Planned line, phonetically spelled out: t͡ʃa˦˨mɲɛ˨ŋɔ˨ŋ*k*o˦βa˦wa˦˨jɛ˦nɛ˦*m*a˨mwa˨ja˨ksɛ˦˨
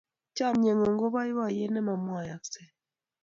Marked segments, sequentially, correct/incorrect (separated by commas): incorrect, correct